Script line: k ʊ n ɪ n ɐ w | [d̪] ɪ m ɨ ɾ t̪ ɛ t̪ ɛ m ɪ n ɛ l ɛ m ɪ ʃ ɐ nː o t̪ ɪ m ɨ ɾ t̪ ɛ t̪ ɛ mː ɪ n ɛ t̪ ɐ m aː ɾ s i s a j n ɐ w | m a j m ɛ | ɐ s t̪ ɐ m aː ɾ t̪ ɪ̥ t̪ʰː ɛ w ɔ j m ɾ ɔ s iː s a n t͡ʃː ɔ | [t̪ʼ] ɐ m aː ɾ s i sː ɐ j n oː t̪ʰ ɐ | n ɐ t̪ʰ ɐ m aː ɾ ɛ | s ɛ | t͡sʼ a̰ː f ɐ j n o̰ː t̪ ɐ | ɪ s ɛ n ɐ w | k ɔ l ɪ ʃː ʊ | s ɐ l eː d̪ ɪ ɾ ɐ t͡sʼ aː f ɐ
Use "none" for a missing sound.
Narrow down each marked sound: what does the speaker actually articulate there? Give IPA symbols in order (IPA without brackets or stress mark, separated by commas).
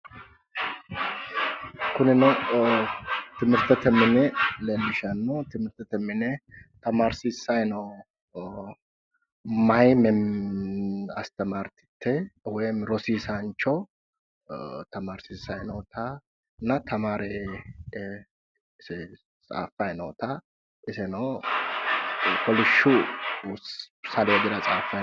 t̪, t̪